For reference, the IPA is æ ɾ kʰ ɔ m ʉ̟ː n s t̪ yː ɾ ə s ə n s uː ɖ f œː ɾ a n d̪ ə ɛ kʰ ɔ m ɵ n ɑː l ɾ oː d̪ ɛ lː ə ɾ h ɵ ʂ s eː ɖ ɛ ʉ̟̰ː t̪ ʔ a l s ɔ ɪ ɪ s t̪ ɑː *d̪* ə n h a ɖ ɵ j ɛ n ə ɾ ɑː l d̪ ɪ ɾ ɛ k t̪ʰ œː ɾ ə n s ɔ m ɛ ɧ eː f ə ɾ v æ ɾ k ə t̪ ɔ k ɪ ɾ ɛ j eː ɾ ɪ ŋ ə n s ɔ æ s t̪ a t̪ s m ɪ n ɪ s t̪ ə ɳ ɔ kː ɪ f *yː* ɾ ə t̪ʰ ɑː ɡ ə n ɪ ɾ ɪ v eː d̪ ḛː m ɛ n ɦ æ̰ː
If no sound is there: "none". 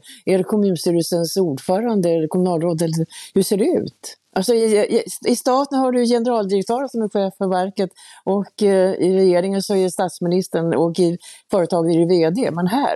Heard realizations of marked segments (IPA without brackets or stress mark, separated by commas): t̪, œː